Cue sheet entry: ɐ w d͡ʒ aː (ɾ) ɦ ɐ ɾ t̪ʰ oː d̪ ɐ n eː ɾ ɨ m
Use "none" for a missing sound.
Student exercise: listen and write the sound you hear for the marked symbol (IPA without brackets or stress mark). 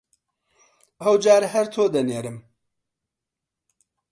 ɾ